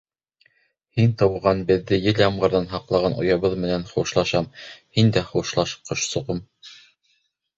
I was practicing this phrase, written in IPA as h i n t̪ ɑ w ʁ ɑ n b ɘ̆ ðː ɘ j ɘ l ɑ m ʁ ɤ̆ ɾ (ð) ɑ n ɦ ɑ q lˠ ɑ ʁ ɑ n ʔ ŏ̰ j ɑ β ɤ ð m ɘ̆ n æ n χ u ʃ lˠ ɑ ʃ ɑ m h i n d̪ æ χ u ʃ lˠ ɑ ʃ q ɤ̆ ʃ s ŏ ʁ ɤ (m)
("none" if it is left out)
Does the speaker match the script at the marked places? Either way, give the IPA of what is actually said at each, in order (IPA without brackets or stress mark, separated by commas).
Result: ð, m